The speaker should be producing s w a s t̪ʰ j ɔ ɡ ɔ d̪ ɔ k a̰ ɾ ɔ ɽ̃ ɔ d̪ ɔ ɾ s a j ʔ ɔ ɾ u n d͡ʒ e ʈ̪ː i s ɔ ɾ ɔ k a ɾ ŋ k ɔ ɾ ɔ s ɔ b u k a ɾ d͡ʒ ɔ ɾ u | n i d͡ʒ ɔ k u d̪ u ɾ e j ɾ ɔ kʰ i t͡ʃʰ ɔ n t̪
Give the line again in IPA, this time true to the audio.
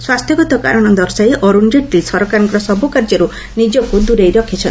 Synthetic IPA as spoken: s w a s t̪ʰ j ɔ ɡ ɔ t̪ ɔ k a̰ ɾ ɔ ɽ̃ ɔ d̪ ɔ ɾ s a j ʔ ɔ ɾ u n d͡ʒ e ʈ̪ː i s ɔ ɾ ɔ k a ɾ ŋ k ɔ ɾ ɔ s ɔ b u k a ɾ d͡ʒ ɔ ɾ u | n i d͡ʒ ɔ k u d̪ u ɾ e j ɾ ɔ kʰ i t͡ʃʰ ɔ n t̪